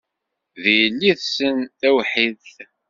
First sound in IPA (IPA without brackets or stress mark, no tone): ð